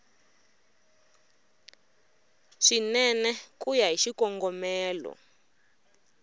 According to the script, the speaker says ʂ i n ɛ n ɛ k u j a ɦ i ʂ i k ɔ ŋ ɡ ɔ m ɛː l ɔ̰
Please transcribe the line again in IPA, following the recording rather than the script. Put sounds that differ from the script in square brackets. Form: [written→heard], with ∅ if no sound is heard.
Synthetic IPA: ʂ i n ɛ n ɛ k u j a ɦ i [ʂ→ʃ] i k ɔ ŋ ɡ ɔ m ɛː l ɔ̰